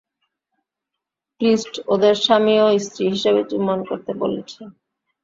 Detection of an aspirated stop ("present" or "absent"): present